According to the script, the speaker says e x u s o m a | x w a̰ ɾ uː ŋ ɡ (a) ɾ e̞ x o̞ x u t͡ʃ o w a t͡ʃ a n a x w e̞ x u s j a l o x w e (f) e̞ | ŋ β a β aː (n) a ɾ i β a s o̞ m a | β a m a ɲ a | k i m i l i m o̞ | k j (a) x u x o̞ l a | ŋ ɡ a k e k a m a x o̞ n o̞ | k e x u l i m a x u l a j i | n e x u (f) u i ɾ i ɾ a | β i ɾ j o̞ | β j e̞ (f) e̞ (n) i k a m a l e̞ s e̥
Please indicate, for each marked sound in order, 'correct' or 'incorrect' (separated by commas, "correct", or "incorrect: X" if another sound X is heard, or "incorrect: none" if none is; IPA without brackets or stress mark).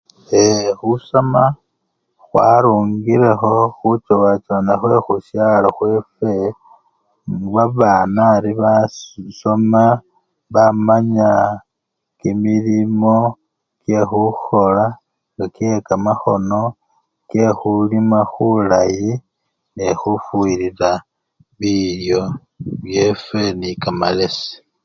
incorrect: i, correct, correct, incorrect: e, correct, correct, correct